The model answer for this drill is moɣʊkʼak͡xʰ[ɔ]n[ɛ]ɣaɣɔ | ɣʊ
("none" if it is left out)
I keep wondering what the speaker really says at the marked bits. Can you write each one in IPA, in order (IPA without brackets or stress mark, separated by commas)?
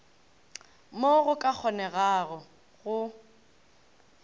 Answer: ɔ, ɛ